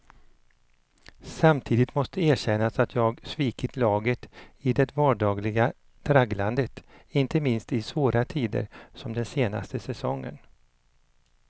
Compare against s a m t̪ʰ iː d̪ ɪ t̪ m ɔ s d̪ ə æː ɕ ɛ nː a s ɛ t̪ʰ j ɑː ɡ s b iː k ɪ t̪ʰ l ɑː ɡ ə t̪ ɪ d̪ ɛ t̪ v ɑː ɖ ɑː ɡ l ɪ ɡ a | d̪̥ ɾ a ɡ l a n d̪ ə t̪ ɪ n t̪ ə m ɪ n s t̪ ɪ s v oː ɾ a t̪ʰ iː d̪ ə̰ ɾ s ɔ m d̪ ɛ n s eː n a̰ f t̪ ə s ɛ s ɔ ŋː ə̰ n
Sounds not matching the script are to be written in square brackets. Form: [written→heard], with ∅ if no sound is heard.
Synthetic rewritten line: s a m t̪ʰ iː d̪ ɪ t̪ m ɔ s [d̪→t̪] ə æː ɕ ɛ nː a s [ɛ→a] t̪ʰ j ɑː ɡ s [b→v] iː k ɪ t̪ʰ l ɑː ɡ ə t̪ ɪ d̪ ɛ t̪ v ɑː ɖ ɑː ɡ l ɪ ɡ a | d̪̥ ɾ a ɡ l a n d̪ ə t̪ ɪ n t̪ ə m ɪ n s t̪ ɪ s v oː ɾ a t̪ʰ iː d̪ ə̰ ɾ s ɔ m d̪ ɛ n s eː n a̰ [f→s] t̪ ə s ɛ s ɔ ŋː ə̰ n

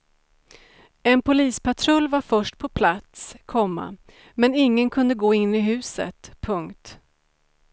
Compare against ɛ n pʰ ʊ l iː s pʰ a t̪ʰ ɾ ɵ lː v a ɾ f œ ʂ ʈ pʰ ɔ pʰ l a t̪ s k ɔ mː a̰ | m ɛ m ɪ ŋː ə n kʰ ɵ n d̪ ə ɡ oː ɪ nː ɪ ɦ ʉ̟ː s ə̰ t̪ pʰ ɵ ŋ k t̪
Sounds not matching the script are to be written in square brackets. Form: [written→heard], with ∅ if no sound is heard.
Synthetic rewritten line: ɛ n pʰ ʊ l iː s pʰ a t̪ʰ ɾ ɵ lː v a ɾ f œ ʂ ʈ pʰ ɔ pʰ l a t̪ s [k→kʰ] ɔ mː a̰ | m ɛ [m→n] ɪ ŋː ə n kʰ ɵ n d̪ ə ɡ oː ɪ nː ɪ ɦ ʉ̟ː s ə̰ t̪ pʰ ɵ ŋ k t̪

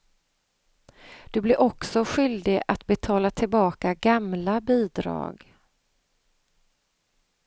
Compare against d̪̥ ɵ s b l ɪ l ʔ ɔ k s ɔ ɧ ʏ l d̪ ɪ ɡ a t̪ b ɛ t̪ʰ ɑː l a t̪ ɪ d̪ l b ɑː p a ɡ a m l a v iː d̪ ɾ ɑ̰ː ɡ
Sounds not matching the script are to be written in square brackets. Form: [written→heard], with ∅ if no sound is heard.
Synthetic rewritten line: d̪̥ ɵ [s→∅] b l ɪ [l→ɾ] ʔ ɔ k s ɔ ɧ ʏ l d̪ ɪ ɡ a t̪ b ɛ t̪ʰ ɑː l a [t̪→t̪ʰ] ɪ [d̪→∅] l b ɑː [p→k] a ɡ a m l a [v→b] iː d̪ ɾ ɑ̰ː ɡ

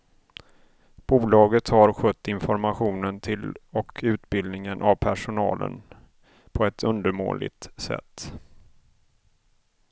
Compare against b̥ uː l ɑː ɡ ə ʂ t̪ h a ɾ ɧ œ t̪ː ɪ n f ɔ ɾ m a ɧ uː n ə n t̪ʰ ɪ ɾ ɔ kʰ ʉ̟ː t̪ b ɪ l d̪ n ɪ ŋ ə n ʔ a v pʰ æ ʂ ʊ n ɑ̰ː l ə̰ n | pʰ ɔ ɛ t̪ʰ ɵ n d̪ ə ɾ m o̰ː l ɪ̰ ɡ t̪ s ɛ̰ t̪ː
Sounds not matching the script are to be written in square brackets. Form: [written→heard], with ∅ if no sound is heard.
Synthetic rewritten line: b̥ uː l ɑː ɡ ə [ʂ→∅] t̪ h a ɾ ɧ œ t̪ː ɪ n f ɔ ɾ m a ɧ uː n ə n t̪ʰ ɪ [ɾ→l] ɔ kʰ ʉ̟ː t̪ b ɪ l d̪ n ɪ ŋ ə n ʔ a v pʰ æ ʂ ʊ n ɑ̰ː l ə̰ n | pʰ ɔ ɛ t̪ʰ ɵ n d̪ ə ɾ m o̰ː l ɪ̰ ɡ t̪ s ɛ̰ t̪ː

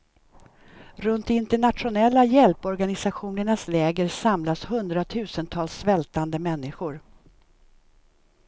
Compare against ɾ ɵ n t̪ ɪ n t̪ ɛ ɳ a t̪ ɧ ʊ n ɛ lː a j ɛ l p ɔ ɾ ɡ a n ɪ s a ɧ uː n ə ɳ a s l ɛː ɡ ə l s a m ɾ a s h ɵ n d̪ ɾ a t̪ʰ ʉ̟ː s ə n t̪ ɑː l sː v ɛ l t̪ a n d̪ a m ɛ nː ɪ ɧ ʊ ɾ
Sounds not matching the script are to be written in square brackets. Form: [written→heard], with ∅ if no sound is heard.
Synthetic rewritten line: ɾ ɵ n t̪ ɪ n t̪ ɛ ɳ a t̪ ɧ ʊ n ɛ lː a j ɛ l p ɔ ɾ ɡ a n ɪ s a ɧ uː n ə ɳ a s l ɛː ɡ ə [l→ɾ] s a m [ɾ→l] a s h ɵ n d̪ ɾ a t̪ʰ ʉ̟ː s ə n [t̪→t̪ʰ] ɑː l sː v ɛ l t̪ a n d̪ [a→ə] m ɛ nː ɪ ɧ ʊ ɾ

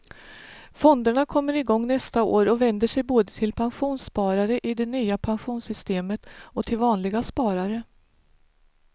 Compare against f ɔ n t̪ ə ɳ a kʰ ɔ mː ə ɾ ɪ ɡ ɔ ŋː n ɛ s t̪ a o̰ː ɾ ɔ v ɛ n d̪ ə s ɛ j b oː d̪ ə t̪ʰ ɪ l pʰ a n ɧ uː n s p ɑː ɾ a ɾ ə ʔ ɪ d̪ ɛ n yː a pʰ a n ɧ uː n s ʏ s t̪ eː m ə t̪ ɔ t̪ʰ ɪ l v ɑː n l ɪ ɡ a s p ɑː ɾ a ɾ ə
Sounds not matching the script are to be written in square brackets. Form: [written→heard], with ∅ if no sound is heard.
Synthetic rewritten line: f ɔ n [t̪→d̪] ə ɳ a kʰ ɔ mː ə ɾ ɪ ɡ ɔ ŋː n ɛ s t̪ a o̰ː ɾ ɔ v ɛ n d̪ ə [s→ʂ] ɛ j b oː d̪ ə t̪ʰ ɪ l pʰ a n ɧ uː n s p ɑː ɾ a ɾ ə ʔ ɪ d̪ ɛ n yː a pʰ a n ɧ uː n s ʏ s t̪ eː m ə t̪ ɔ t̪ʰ ɪ l v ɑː n l ɪ ɡ a s p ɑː ɾ a ɾ ə

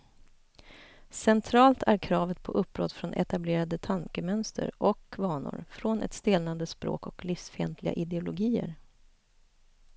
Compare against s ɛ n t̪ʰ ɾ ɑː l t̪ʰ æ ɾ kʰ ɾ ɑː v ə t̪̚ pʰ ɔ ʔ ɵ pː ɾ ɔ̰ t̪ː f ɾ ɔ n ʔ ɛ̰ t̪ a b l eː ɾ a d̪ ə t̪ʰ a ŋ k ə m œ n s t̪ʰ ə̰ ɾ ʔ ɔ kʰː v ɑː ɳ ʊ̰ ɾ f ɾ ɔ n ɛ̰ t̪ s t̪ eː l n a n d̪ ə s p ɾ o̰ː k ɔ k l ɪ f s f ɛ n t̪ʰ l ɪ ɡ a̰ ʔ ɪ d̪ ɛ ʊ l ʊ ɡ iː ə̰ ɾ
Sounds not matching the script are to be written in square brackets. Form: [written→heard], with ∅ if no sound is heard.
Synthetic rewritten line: s ɛ n t̪ʰ ɾ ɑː l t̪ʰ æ ɾ kʰ ɾ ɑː v ə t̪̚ pʰ ɔ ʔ ɵ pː ɾ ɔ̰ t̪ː f ɾ ɔ n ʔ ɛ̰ t̪ a b l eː ɾ a d̪ ə t̪ʰ a ŋ k ə m œ n s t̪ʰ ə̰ ɾ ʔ ɔ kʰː v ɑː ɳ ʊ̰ ɾ f ɾ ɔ n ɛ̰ t̪ s t̪ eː l n a n d̪ ə s p ɾ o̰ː k ɔ k l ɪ f s f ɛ n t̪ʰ l ɪ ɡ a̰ ʔ ɪ d̪ ɛ ʊ l ʊ ɡ iː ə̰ ɾ

